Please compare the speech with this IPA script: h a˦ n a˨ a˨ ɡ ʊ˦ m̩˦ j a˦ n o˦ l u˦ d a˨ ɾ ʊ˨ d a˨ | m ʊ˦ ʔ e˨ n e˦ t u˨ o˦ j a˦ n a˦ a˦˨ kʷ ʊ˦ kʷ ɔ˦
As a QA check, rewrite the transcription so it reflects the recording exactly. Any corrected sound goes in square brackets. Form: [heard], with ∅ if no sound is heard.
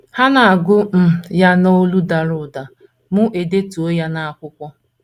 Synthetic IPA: h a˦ n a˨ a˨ ɡ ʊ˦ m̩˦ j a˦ n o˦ l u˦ d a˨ ɾ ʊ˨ d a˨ | m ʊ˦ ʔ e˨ [d] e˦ t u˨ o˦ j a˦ n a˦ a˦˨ kʷ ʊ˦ kʷ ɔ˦